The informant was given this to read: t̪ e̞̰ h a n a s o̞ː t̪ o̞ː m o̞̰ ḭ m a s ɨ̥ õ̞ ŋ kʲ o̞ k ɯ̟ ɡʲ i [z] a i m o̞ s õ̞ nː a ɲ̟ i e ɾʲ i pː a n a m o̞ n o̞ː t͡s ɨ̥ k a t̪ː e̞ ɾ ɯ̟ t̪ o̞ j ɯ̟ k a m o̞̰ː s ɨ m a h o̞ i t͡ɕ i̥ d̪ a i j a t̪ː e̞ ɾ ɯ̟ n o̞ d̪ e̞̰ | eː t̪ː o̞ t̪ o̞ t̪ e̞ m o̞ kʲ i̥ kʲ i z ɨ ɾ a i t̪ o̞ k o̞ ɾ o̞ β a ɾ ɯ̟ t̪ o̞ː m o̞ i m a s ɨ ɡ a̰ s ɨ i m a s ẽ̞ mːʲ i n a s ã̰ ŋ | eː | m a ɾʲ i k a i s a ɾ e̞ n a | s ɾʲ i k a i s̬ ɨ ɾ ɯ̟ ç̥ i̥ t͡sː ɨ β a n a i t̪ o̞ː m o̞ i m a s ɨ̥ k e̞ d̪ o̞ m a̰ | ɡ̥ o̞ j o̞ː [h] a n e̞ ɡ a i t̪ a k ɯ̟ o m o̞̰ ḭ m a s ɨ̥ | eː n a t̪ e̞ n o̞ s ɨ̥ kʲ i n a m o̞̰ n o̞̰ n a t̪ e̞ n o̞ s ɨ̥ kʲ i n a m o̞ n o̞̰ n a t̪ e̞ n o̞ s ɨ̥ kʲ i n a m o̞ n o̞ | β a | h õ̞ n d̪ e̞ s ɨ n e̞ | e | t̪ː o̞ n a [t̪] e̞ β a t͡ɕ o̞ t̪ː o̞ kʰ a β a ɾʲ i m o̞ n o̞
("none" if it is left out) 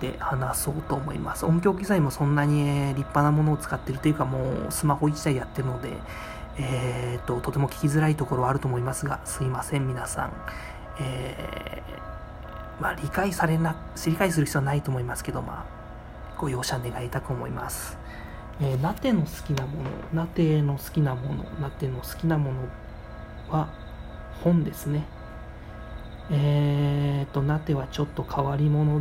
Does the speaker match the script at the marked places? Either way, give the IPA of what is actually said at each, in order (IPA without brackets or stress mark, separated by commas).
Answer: z, ɕ, t̪